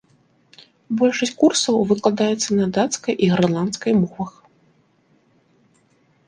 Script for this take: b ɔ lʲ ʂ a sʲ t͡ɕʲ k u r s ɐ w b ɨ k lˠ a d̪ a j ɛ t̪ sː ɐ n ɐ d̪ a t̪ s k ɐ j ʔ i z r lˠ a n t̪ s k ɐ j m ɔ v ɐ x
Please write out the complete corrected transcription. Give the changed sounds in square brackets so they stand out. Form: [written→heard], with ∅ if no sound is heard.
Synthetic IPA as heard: b ɔ lʲ ʂ [a→ɐ] sʲ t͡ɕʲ k u r s ɐ w [b→v] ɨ k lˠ a d̪ a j ɛ t̪ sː ɐ n ɐ d̪ a t̪ s k ɐ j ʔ i [z→ɣ] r lˠ a n t̪ s k ɐ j m ɔ v ɐ x